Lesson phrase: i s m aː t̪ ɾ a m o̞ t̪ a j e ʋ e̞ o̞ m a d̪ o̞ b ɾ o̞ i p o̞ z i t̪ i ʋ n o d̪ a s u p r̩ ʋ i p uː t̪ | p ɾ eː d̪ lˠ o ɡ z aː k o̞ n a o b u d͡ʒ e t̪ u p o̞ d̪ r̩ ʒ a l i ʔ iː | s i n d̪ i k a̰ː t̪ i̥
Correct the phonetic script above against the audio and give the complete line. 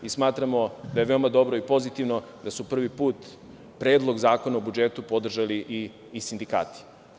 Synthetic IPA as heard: i s m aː t̪ ɾ a m o̞ d̪ a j e ʋ e̞ o̞ m a d̪ o̞ b ɾ o̞ i p o̞ z i t̪ i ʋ n o d̪ a s u p r̩ ʋ i p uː t̪ | p ɾ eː d̪ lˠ o ɡ z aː k o̞ n a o b u d͡ʒ e t̪ u p o̞ d̪ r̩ ʒ a l i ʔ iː | s i n d̪ i k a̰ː t̪ i̥